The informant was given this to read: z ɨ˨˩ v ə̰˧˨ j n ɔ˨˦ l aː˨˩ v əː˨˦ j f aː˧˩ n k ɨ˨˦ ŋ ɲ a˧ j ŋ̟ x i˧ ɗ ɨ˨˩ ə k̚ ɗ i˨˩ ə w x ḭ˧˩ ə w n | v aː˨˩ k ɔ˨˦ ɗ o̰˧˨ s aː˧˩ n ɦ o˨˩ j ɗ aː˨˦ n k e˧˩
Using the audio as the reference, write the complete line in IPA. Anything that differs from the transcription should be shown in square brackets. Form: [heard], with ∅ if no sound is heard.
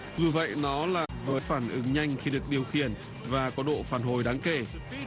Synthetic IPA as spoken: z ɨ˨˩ v ə̰˧˨ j n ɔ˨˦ l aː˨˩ v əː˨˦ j f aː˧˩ n [ʔ] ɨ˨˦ ŋ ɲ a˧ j ŋ̟ x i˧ ɗ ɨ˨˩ ə k̚ ɗ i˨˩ ə w x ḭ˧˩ ə [∅] n | v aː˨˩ k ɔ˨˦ ɗ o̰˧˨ [f] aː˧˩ n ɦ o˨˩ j ɗ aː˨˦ [ŋ] k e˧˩